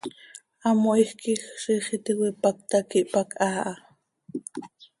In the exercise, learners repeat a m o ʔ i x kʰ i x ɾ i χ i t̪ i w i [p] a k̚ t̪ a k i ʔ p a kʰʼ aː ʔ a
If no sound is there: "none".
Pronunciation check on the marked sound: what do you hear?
p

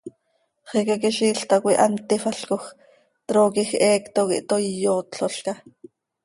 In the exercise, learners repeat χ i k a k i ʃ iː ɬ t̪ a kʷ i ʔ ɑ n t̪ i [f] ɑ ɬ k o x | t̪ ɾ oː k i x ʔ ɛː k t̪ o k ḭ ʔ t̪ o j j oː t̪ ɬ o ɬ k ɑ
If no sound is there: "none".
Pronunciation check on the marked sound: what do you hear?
f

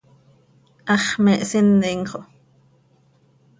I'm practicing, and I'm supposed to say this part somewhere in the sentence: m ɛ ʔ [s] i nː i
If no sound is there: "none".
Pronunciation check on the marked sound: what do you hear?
s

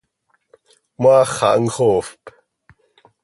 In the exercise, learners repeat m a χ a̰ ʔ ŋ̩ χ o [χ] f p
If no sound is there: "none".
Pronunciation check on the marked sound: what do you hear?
none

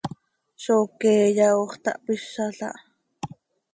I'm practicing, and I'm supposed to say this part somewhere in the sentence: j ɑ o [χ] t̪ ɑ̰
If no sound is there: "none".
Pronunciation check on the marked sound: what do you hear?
χ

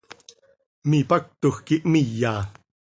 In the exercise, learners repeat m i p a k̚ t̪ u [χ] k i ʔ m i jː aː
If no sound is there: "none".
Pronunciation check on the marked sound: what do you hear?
x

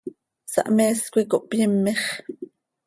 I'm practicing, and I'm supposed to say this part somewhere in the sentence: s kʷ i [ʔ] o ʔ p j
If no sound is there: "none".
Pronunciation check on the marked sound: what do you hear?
k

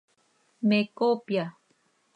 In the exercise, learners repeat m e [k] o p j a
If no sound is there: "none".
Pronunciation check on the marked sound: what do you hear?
k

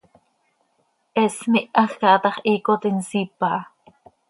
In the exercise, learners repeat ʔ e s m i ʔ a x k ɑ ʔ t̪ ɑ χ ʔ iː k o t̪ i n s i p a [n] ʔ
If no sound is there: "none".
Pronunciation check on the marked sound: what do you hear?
none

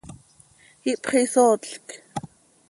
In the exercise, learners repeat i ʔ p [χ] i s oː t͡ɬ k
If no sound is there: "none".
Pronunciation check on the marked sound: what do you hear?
χ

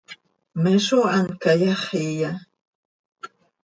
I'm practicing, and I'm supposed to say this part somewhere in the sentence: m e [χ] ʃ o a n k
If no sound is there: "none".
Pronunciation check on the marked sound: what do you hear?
none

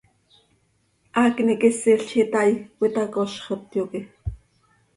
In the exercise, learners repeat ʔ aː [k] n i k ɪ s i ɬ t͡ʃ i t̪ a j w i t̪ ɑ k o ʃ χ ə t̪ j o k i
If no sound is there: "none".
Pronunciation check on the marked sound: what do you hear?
k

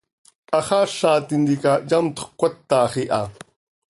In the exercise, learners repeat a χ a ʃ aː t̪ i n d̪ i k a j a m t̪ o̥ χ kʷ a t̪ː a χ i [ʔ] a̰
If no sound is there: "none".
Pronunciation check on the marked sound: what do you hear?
ʔ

